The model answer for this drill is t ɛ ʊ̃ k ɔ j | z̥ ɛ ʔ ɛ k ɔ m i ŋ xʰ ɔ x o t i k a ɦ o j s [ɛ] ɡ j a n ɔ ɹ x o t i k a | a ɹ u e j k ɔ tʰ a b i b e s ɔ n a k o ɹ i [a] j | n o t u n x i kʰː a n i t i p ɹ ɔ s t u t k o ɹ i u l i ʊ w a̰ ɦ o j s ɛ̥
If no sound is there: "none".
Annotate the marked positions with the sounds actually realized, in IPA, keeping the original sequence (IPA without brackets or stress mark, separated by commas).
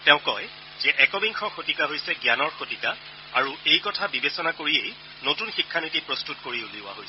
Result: ɛ, e